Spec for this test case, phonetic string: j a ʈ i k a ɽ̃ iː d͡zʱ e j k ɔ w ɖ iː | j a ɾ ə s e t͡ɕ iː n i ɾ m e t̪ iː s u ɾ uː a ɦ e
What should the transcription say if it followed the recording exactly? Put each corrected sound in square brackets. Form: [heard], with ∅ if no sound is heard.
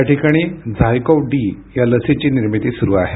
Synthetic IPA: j a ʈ i k a ɽ̃ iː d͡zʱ [a] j k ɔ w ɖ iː | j a [l] ə s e t͡ɕ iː n i ɾ m [i] t̪ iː s u ɾ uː a ɦ e